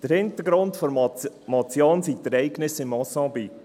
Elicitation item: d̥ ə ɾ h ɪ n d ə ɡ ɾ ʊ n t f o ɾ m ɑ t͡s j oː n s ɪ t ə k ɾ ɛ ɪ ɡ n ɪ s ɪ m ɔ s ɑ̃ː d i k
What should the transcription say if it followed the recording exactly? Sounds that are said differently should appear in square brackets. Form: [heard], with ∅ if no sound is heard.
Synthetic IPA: d̥ ə ɾ h ɪ n [t] ə ɡ ɾ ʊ n t f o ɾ m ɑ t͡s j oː n s [i] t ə [∅] ɾ ɛ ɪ ɡ n ɪ s ɪ m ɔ s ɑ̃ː [b] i k